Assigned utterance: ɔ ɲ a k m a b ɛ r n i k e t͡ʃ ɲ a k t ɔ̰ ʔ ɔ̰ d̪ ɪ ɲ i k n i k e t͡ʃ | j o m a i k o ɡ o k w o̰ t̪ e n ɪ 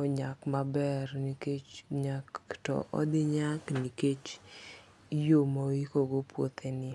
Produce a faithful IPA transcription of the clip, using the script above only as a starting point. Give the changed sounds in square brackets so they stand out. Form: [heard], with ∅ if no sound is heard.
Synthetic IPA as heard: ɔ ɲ a k m a b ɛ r n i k e t͡ʃ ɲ a k t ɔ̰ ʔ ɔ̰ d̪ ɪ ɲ [a] k n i k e t͡ʃ | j o m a i k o ɡ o [p] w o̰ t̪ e n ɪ

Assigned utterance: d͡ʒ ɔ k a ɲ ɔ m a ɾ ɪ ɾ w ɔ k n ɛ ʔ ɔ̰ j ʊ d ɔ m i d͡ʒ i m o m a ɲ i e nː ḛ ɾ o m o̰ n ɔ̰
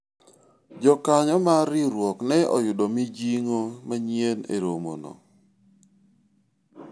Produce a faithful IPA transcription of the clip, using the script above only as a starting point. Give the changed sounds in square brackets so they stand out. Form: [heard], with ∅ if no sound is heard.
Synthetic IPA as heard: d͡ʒ ɔ k a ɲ ɔ m a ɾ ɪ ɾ w ɔ k n ɛ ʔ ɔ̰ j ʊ d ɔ m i d͡ʒ i [ŋ] o m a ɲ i e [n] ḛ ɾ o m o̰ n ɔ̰

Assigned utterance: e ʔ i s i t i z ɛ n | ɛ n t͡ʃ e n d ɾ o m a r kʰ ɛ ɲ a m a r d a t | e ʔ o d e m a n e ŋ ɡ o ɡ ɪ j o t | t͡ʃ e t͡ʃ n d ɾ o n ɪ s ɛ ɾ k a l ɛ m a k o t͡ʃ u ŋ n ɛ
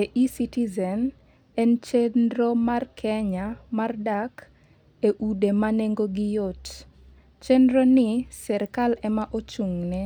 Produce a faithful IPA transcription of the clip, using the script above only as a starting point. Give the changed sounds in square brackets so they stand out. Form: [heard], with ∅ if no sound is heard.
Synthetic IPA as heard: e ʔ i s i t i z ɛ n | ɛ n t͡ʃ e n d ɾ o m a r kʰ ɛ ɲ a m a r d a [k] | e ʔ [u] d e m a n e ŋ ɡ o ɡ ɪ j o t | t͡ʃ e [∅] n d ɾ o n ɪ s ɛ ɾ k a l ɛ m a [ʔ] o t͡ʃ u ŋ n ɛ

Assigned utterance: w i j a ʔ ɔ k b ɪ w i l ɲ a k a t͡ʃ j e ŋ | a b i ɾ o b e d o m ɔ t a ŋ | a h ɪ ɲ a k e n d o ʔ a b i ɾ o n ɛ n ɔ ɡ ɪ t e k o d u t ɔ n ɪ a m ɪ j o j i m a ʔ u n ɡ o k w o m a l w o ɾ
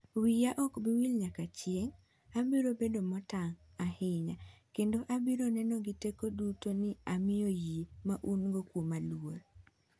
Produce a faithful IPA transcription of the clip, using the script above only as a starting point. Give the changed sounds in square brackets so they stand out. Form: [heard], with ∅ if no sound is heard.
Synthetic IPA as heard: w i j a ʔ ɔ k b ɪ w i l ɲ a k a t͡ʃ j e ŋ | a b i ɾ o b e d o m ɔ t a ŋ | a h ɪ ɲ a k e n d o ʔ a b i ɾ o n ɛ n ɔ ɡ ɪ t e k o d u t [o] n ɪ a m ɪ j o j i m a ʔ u n ɡ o k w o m a l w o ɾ

